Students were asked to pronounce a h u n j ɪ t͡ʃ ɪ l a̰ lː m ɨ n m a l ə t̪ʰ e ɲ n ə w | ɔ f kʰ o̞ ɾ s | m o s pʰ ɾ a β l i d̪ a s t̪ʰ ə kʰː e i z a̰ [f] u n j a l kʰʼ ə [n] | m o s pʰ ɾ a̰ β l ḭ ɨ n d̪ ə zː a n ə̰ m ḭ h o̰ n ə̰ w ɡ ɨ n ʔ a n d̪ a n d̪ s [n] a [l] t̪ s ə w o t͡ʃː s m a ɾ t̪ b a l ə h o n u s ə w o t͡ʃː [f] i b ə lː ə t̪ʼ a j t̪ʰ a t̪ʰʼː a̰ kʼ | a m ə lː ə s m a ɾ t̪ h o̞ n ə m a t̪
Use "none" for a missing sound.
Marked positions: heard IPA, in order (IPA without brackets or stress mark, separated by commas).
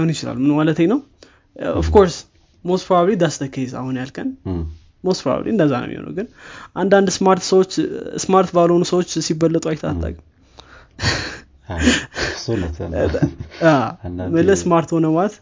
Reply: h, n, m, ɾ, s